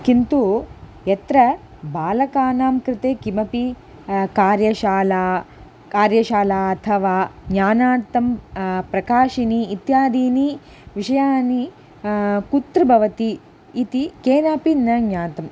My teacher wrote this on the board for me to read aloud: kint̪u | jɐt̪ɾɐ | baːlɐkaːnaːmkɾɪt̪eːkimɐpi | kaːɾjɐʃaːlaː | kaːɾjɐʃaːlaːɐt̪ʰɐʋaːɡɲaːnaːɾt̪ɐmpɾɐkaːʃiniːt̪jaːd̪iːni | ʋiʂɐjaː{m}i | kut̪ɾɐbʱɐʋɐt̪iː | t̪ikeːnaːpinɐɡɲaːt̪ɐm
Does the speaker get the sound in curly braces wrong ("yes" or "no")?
yes